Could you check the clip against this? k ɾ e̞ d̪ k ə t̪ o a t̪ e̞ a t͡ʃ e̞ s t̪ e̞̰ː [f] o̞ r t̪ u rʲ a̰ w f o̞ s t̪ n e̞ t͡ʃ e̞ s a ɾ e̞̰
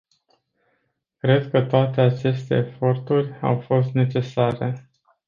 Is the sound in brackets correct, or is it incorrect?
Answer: correct